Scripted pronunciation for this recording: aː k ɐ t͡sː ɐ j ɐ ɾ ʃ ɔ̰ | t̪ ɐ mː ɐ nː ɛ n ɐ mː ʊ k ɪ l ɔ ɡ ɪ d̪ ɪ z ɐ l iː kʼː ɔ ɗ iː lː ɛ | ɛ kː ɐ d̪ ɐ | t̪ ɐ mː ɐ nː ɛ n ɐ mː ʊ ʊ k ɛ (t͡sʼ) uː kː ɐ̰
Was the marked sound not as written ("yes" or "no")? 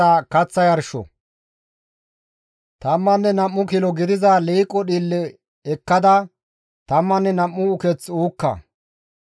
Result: yes